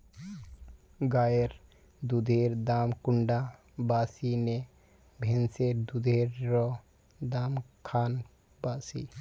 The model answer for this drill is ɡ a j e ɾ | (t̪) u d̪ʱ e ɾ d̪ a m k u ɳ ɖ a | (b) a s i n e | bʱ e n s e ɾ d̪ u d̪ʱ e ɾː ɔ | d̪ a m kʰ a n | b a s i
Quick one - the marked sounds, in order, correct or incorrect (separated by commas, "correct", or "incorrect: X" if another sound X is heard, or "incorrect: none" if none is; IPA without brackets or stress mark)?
incorrect: d̪, correct